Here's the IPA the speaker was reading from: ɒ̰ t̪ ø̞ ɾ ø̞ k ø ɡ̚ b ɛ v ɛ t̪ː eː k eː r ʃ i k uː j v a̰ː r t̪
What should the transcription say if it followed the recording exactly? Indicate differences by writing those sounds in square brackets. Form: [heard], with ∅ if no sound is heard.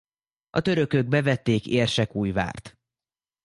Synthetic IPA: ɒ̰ t̪ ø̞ ɾ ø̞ k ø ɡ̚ b ɛ v ɛ t̪ː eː k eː r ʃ [ɛ] k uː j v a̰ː r t̪